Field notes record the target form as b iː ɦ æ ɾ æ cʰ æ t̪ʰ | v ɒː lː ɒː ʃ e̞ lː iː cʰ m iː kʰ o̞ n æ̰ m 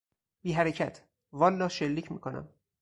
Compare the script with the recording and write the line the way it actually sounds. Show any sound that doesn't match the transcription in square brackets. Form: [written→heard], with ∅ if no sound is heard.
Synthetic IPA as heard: b iː ɦ æ ɾ [æ→e] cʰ æ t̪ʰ | v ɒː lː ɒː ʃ e̞ lː iː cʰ m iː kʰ o̞ n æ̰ m

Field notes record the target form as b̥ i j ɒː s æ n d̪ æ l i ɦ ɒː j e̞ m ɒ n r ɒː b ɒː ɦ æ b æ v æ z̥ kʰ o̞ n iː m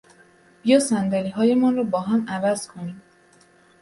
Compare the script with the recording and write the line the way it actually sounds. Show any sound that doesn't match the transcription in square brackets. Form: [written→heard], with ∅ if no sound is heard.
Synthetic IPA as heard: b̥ i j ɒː s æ n d̪ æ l i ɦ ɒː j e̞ m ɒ n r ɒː b ɒː ɦ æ [b→m] æ v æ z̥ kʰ o̞ n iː m

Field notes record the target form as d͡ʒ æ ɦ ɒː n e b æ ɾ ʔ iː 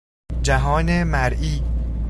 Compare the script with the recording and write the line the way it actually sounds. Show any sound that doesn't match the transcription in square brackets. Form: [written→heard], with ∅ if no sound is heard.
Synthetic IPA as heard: d͡ʒ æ ɦ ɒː n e [b→m] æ ɾ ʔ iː

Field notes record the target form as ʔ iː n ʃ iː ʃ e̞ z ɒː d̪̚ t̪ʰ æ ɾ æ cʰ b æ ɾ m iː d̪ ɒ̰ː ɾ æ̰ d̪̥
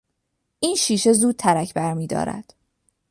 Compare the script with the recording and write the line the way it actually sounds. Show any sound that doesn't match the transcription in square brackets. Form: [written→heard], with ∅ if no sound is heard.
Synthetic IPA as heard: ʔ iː n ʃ iː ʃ e̞ z [ɒː→uː] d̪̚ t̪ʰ æ ɾ æ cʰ b æ ɾ m iː d̪ ɒ̰ː ɾ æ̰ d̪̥

